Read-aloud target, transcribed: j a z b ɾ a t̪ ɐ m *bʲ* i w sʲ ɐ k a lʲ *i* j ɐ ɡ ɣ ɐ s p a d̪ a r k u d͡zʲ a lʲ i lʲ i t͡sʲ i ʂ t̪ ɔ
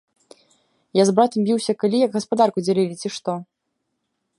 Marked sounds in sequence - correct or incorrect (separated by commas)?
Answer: correct, correct